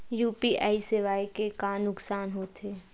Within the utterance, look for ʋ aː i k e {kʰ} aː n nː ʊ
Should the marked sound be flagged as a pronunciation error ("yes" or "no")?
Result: yes